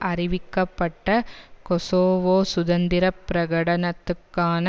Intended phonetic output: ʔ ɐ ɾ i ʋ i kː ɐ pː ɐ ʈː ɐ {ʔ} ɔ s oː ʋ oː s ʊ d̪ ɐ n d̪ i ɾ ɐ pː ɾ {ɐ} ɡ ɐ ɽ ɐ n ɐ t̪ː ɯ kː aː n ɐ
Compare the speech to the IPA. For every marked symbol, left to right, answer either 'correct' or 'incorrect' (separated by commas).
incorrect, correct